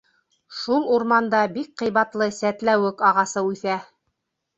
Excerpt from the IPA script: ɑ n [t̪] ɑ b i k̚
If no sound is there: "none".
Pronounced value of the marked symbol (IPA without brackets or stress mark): d̪